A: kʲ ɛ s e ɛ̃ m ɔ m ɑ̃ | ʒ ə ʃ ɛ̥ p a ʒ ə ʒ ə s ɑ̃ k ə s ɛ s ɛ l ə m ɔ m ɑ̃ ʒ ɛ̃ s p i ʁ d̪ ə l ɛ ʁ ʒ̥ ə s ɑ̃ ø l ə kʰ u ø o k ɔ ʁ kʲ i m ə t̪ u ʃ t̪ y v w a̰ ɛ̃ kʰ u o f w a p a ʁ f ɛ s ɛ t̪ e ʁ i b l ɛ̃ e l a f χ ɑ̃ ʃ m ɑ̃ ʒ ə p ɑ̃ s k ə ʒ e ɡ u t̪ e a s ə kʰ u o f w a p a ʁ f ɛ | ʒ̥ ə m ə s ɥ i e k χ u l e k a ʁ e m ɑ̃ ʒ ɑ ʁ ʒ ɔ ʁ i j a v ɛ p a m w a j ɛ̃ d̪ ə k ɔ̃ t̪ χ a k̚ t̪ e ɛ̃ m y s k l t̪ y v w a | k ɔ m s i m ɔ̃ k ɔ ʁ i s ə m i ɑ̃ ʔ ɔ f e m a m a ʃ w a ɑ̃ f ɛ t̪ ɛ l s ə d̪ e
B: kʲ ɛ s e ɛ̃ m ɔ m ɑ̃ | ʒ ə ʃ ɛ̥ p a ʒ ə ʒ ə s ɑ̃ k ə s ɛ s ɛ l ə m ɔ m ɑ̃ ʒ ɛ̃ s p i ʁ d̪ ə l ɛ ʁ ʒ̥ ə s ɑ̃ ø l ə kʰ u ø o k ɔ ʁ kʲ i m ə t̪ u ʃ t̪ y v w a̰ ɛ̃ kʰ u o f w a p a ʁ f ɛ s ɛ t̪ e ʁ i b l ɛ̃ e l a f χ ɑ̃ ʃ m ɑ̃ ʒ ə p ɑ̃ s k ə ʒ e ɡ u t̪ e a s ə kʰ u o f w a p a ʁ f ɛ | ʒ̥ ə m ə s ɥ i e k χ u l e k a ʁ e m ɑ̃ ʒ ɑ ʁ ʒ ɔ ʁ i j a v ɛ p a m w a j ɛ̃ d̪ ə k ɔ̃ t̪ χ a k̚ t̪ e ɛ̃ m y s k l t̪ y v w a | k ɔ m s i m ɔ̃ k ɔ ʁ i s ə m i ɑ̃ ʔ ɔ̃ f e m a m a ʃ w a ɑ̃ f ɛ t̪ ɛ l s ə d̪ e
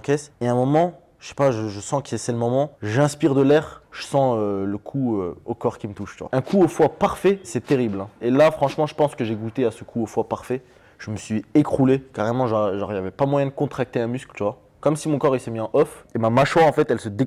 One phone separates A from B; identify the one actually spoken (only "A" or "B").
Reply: A